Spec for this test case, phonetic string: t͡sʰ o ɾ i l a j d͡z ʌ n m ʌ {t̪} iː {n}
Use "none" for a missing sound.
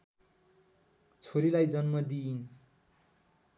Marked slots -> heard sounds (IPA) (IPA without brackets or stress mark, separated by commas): d̪, n